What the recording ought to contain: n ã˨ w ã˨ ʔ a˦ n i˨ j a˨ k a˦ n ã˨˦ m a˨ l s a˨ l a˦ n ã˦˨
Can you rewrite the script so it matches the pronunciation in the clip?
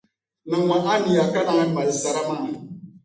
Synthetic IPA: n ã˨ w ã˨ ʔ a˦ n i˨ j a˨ k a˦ n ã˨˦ m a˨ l s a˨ ɾ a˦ m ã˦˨